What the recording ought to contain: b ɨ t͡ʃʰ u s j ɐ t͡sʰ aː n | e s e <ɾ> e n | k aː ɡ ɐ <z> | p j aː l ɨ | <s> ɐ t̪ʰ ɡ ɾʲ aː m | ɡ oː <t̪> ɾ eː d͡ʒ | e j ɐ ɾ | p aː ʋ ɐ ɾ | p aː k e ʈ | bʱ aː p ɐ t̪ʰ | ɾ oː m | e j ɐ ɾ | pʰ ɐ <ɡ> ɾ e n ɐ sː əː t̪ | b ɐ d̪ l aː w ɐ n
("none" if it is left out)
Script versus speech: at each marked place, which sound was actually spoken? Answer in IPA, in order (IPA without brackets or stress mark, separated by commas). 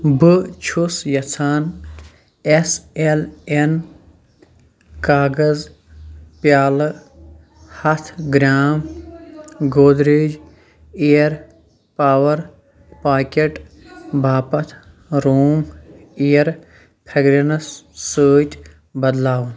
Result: l, z, h, d̪, ɡ